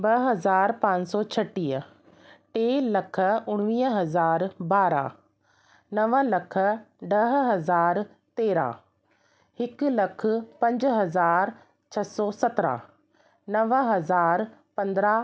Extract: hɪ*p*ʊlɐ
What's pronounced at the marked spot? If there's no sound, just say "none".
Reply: k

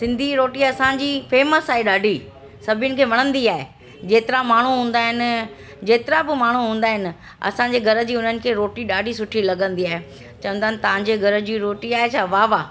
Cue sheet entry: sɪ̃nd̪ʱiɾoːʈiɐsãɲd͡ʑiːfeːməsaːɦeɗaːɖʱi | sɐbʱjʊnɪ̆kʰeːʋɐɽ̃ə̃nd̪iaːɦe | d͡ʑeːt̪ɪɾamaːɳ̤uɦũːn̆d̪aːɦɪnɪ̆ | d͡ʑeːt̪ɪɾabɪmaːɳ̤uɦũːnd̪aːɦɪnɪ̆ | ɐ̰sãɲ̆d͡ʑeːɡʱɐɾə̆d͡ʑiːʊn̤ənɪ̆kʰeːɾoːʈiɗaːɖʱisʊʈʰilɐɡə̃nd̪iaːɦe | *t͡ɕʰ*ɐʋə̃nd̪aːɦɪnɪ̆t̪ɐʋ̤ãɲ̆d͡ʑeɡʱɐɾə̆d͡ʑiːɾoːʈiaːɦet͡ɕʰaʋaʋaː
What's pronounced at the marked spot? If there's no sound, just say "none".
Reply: t͡ɕ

